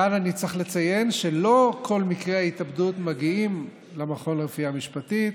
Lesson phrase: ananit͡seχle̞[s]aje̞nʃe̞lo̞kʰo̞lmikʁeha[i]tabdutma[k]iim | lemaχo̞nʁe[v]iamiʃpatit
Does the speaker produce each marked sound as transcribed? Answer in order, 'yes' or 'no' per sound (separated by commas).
no, yes, no, no